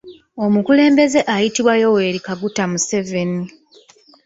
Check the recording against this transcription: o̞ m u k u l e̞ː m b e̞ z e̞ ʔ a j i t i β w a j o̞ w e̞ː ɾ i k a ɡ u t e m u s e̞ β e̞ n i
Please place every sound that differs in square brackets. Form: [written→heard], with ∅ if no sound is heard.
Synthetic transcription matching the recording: o̞ m u k u l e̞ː m b e̞ z e̞ ʔ a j i t i β w a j o̞ w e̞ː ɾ i k a ɡ u t [e→a] m u s e̞ [β→v] e̞ n i